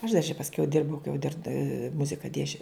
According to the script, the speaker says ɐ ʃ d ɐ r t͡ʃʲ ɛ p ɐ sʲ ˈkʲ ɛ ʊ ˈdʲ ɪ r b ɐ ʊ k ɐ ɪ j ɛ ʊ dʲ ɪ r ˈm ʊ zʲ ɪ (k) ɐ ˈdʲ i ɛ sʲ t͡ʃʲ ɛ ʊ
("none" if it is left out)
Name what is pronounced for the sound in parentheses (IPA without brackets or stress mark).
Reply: k